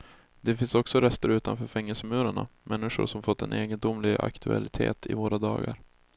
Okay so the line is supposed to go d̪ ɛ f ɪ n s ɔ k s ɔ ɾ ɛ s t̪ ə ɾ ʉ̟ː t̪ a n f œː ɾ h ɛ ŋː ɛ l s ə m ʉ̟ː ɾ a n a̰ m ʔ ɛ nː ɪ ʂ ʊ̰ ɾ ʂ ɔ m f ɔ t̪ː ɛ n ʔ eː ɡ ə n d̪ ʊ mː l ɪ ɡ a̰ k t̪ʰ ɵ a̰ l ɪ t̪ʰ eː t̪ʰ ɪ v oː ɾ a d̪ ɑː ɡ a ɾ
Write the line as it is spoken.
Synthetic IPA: d̪ ɛ f ɪ n s ɔ k s ɔ ɾ ɛ s t̪ ə ɾ ʉ̟ː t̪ a n f œː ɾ f ɛ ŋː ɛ l s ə m ʉ̟ː ɾ a ɳ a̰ m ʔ ɛ nː ɪ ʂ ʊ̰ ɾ ʂ ɔ m f ɔ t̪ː ɛ n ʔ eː ɡ ə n d̪ ʊ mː l ɪ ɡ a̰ k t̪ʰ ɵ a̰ l ɪ t̪ʰ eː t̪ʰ ɪ v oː ɾ a d̪ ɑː ɡ a ɾ